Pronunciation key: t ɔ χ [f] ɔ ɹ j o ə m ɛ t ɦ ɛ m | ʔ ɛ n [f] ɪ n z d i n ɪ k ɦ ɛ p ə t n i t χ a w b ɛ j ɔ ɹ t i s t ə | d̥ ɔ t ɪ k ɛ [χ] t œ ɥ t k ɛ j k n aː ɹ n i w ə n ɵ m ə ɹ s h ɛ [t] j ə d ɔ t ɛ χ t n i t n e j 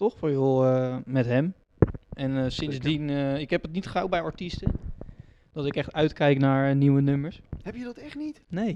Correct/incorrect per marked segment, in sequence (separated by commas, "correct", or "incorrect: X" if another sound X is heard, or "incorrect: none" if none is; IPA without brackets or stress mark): correct, incorrect: s, correct, incorrect: p